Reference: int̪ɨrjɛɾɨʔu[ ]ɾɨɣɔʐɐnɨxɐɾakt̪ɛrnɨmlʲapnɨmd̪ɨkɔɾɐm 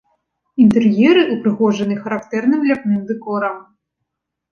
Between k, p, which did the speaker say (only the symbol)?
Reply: p